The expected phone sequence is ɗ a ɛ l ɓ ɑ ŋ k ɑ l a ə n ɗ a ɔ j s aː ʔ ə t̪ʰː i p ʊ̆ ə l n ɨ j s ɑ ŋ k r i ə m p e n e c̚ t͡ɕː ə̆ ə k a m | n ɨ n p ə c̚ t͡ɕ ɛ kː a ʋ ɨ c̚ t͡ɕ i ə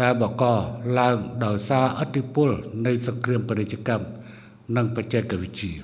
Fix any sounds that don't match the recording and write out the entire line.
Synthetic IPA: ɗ a ɛ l ɓ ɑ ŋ k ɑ l a ə ŋ ɗ a ɔ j s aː ʔ ə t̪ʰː i p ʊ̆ ə l n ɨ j s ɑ ŋ k r i ə m p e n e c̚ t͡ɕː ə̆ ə k a m | n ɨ ŋ p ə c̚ t͡ɕ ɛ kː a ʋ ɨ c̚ t͡ɕ i ə